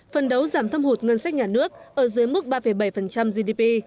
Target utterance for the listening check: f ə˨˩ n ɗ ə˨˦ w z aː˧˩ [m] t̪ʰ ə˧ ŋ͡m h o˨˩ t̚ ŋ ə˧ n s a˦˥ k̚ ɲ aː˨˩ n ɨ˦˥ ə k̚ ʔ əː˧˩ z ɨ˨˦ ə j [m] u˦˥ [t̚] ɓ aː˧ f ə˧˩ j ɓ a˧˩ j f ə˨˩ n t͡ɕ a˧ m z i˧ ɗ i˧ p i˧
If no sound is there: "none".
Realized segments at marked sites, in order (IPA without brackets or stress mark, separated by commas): m, m, t̚